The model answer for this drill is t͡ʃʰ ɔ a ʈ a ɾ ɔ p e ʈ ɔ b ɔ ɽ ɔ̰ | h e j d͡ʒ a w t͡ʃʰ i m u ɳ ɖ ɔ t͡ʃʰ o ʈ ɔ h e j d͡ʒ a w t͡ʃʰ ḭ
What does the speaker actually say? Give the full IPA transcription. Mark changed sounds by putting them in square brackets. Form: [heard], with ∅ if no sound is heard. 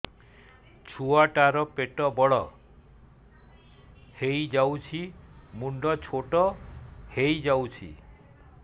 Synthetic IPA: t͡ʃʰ [u] a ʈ a ɾ ɔ p e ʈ ɔ b ɔ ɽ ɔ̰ | h e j d͡ʒ a w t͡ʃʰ i m u ɳ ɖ ɔ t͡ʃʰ o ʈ ɔ h e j d͡ʒ a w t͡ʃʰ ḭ